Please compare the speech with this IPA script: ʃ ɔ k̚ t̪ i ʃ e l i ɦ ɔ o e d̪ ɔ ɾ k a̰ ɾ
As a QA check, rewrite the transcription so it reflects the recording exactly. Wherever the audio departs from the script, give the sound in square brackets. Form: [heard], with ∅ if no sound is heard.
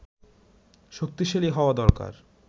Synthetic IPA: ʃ [o] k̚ t̪ i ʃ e l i ɦ ɔ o [a] d̪ ɔ ɾ k a̰ ɾ